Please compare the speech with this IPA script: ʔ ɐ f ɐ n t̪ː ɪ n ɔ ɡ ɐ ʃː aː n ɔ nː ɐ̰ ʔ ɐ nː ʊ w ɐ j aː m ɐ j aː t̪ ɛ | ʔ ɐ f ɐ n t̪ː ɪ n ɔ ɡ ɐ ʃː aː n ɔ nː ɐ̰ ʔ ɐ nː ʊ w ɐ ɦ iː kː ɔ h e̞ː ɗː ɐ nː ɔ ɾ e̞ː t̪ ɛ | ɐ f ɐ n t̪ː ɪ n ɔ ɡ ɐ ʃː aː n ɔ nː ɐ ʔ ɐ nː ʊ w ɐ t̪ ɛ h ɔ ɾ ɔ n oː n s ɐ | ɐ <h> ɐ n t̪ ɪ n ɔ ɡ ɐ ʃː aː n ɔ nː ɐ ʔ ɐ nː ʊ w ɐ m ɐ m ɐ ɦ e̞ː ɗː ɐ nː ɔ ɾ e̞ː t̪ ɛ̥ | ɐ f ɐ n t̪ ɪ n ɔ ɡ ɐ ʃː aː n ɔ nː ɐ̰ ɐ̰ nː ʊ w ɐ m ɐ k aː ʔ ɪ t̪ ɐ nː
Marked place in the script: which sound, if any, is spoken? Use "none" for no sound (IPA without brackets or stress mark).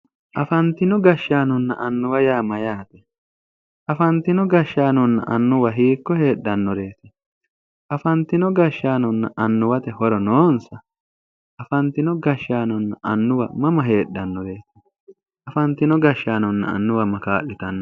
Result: f